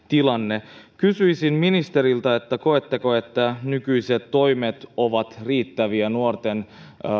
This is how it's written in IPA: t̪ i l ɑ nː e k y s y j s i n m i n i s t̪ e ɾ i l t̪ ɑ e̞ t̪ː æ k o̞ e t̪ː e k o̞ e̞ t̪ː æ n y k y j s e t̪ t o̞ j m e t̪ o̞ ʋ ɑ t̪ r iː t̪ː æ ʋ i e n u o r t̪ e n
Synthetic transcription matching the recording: t̪ i l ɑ nː e k y s y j s i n m i n i s t̪ e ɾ i l t̪ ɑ e̞ t̪ː æ k o̞ e t̪ː e k o̞ e̞ t̪ː æ n y k y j s e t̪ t o̞ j m e t̪ o̞ ʋ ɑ t̪ r iː t̪ː æ ʋ i æ n u o r t̪ e n

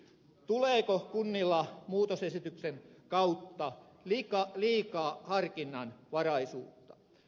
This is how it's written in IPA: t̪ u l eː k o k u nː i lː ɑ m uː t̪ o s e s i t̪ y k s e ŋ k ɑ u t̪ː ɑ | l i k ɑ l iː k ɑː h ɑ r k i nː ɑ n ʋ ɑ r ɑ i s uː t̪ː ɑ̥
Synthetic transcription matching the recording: t̪ u l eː k o k u nː i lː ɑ m uː t̪ o s e s i t̪ y k s e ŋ k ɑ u t̪ː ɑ | l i k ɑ l iː k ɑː h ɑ r k i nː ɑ n ʋ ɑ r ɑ i s uː t̪ː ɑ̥

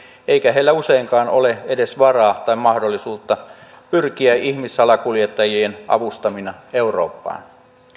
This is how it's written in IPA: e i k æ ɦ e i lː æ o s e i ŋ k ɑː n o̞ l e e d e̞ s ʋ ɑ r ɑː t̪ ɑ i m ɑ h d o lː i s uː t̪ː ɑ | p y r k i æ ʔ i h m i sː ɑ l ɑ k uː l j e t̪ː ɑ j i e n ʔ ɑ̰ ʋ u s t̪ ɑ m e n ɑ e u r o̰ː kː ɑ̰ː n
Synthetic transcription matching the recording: e i k æ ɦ e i lː æ u s e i ŋ k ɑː n o̞ l e e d e̞ s ʋ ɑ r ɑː t̪ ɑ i m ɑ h d o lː i s uː t̪ː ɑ | p y r k i æ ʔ i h m i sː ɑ l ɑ k u l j e t̪ː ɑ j i e n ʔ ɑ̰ ʋ u s t̪ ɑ m i n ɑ e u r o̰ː pː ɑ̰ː n

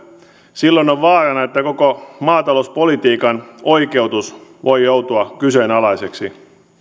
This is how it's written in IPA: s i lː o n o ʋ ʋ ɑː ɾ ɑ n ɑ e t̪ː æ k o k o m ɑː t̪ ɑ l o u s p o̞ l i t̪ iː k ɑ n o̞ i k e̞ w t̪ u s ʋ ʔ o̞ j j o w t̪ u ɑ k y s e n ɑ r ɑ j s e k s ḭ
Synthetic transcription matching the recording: s i lː o n o ʋ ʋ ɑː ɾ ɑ n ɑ e t̪ː æ k o k o m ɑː t̪ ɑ l o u s p o̞ l i t̪ iː k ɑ n o̞ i k e̞ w t̪ u s ʋ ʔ o̞ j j o w t̪ u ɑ k y s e n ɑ l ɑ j s e k s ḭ

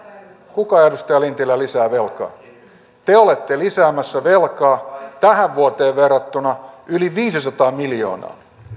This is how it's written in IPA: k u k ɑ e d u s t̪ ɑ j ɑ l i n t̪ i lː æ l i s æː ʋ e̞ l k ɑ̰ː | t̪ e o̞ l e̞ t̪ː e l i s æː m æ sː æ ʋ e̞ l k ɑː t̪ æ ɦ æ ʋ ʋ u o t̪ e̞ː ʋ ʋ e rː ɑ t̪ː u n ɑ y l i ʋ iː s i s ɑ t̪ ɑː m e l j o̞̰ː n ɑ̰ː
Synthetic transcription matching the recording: k u k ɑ e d u s t̪ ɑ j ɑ l i n t̪ i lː æ l i s æː ʋ e̞ l k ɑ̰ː | t̪ e o̞ l e̞ t̪ː e l i s æː m æ sː æ ʋ e̞ l k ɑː t̪ æ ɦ æ ʋ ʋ u o t̪ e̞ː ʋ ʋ e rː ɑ t̪ː u n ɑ y l i ʋ iː s i s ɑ t̪ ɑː m i l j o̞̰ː n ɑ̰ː

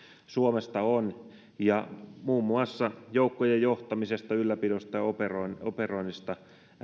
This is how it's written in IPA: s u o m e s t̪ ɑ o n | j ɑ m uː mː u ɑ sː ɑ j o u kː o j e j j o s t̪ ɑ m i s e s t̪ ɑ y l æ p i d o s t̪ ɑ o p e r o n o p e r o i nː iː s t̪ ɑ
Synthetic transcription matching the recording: s u o m e s t̪ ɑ o n | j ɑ m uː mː u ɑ sː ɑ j o u kː o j e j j o h t̪ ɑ m i s e s t̪ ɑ y lː æ p i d o s t̪ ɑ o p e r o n o p e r o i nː i s t̪ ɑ

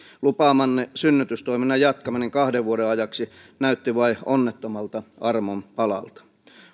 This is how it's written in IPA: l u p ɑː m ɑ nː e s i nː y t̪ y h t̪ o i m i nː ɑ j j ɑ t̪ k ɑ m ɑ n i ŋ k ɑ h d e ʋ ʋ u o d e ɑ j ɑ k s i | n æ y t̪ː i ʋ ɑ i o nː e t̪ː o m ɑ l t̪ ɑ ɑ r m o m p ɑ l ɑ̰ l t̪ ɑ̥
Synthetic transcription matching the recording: l u p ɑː m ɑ nː e s y nː y t̪ y s t̪ o i m i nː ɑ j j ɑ t̪ k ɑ m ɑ n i ŋ k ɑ h d e ʋ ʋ u o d e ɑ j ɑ k s i | n æ y t̪ː i ʋ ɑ i o nː e t̪ː o m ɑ l t̪ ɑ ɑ r m o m p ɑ l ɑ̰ l t̪ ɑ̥

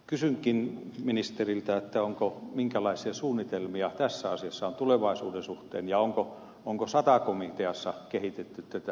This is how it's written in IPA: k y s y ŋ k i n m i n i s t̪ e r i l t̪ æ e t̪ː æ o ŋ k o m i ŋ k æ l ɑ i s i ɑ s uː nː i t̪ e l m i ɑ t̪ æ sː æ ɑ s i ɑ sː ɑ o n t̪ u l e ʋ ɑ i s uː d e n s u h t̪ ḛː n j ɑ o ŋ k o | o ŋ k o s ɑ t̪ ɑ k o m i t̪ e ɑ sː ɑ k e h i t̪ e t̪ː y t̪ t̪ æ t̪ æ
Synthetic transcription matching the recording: k y s y ŋ k i n m i n i s t̪ e r i l t̪ æ e t̪ː æ o ŋ k o m i ŋ k æ l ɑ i s i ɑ s uː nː i t̪ e l m i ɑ t̪ æ sː æ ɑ s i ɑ sː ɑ o n t̪ u l e ʋ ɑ i s uː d e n s u h t̪ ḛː n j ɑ o ŋ k o | o ŋ k o s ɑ t̪ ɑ k o m i t̪ e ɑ sː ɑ k e h i t̪ e t̪ː y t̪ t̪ æ t̪ æ

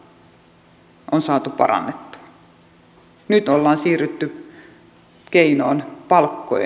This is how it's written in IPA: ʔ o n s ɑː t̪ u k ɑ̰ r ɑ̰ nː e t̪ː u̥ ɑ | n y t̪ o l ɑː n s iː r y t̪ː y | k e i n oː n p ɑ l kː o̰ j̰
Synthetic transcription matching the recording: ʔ o n s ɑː t̪ u p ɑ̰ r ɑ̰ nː e t̪ː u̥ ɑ | n y t̪ o lː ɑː n s iː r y t̪ː y | k e i n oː n p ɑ l kː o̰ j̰

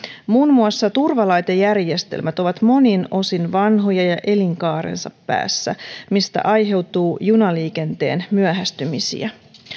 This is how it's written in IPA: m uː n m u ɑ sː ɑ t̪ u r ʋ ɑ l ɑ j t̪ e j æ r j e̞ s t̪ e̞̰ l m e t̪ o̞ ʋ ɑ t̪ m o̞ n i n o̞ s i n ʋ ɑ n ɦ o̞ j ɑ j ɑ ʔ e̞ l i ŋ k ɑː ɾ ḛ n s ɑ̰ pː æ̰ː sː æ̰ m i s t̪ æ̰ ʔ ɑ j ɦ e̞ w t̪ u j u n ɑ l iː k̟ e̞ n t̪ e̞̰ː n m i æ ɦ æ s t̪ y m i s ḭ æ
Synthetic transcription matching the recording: m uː n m u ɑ sː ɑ t̪ u r ʋ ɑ l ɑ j t̪ e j æ r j e̞ s t̪ e̞̰ l m æ t̪ o̞ ʋ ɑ t̪ m o̞ n i n o̞ s i n ʋ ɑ n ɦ o̞ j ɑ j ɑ ʔ e̞ l i ŋ k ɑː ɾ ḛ n s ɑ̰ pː æ̰ː sː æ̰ m i s t̪ æ̰ ʔ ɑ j ɦ e̞ w t̪ uː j u n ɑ l iː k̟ e̞ n t̪ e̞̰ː n m y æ ɦ æ s t̪ y m i s ḭ æ

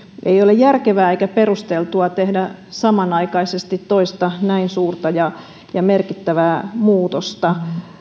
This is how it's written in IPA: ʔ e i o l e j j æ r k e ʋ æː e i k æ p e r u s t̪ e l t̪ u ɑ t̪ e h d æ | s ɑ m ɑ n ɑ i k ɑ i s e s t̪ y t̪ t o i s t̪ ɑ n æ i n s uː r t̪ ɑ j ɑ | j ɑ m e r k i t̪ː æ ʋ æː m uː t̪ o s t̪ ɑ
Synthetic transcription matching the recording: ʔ e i o l e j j æ r k e ʋ æː e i k æ p e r u s t̪ e l t̪ u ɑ t̪ e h d æ | s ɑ m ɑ n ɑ i k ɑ i s e s t̪ i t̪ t o i s t̪ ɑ n æ i n s uː r t̪ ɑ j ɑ | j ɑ m e r k i t̪ː æ ʋ æː m uː t̪ o s t̪ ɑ

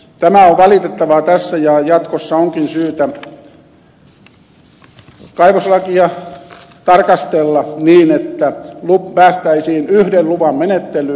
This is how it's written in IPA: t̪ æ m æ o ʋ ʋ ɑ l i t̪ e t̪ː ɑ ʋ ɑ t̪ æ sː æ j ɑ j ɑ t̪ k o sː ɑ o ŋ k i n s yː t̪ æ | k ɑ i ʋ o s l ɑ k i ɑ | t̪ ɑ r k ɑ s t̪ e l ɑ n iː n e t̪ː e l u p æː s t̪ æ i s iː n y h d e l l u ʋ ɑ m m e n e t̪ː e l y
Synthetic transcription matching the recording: t̪ æ m æ o ʋ ʋ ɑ l i t̪ e t̪ː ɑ ʋ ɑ t̪ æ sː æ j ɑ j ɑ t̪ k o sː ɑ o ŋ k i n s yː t̪ æ | k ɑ i ʋ o s l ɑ k i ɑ | t̪ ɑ r k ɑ s t̪ e lː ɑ n iː n e t̪ː æ l u p æː s t̪ æ i s iː n y h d e l l u ʋ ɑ m m e n e t̪ː e l y

